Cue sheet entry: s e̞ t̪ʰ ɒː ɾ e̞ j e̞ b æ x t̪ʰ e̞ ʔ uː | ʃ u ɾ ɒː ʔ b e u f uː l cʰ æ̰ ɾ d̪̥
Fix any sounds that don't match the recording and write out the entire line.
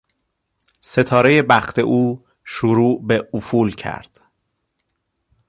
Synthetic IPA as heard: s e̞ t̪ʰ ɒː ɾ e̞ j e̞ b æ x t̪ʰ e̞ ʔ uː | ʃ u ɾ uː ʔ b e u f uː l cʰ æ̰ ɾ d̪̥